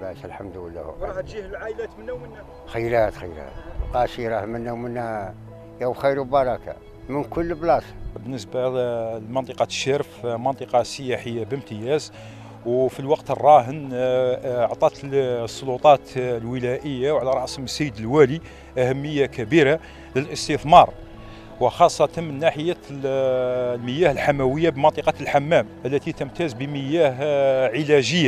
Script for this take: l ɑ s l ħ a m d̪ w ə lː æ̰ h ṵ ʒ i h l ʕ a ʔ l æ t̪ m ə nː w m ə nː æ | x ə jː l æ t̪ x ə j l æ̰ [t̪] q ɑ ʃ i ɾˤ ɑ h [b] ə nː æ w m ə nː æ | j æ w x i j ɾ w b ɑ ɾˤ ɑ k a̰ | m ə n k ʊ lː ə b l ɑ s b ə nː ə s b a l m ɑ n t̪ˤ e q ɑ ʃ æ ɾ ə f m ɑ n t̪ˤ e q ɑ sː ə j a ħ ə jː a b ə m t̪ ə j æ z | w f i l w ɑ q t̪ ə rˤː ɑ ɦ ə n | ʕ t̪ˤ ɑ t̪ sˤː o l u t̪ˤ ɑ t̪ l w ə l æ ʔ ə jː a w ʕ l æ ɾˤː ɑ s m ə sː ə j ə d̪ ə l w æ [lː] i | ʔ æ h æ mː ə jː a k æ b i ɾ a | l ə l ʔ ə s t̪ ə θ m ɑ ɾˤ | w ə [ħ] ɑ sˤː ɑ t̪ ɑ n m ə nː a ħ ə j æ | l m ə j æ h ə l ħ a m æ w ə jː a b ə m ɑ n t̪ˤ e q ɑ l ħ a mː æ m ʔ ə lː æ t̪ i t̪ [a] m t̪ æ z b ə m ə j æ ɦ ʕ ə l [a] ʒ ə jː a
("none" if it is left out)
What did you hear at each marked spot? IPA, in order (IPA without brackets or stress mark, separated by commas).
t̪, m, l, x, ə, æ